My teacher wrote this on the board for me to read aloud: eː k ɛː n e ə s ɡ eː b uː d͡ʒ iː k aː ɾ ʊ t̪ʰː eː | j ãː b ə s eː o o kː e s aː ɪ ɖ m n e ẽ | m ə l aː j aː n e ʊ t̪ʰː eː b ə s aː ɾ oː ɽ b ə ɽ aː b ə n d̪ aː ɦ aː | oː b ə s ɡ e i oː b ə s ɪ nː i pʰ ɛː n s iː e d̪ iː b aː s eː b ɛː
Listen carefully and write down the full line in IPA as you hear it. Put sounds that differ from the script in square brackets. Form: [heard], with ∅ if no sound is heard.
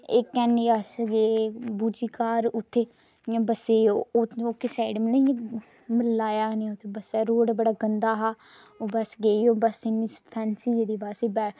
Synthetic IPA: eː k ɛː n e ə s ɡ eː b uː d͡ʒ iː k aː ɾ ʊ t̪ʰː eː | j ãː b ə s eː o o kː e s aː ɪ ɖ m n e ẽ | m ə l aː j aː n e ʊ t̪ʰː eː b ə s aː ɾ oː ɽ b ə ɽ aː [ɡ] ə n d̪ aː ɦ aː | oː b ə s ɡ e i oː b ə s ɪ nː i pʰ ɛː n s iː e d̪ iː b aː s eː b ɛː